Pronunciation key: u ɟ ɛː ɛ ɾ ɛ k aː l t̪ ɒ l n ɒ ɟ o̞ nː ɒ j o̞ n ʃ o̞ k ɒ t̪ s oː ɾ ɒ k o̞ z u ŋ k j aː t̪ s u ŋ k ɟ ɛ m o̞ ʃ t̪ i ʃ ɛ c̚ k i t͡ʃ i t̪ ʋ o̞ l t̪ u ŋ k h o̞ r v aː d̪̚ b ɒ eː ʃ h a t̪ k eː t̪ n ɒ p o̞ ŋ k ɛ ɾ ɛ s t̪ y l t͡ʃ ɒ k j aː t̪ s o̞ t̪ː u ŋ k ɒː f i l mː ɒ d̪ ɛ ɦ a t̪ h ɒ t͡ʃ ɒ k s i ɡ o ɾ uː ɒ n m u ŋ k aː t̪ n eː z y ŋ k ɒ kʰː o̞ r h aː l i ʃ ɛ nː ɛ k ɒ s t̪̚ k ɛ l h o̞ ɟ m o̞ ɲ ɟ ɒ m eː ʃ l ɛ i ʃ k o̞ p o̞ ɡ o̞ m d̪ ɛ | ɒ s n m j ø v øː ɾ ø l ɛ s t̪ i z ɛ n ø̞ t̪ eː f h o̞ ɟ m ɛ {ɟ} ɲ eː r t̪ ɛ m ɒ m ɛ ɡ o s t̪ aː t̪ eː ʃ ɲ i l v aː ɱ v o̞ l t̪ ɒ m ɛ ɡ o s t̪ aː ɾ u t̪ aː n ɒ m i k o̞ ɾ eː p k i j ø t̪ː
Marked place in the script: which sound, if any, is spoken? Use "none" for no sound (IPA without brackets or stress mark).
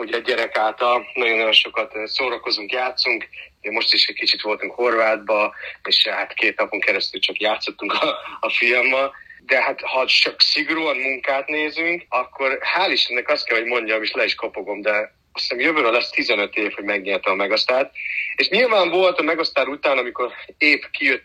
ɡ